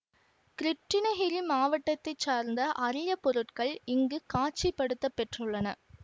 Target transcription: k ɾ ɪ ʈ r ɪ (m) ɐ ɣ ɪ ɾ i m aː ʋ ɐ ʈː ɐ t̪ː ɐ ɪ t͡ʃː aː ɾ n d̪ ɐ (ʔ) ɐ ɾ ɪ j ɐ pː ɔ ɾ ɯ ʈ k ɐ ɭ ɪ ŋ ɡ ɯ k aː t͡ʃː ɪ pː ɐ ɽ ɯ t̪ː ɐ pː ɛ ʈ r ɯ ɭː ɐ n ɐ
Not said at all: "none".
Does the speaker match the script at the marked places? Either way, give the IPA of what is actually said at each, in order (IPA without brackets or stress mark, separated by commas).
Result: n, ʔ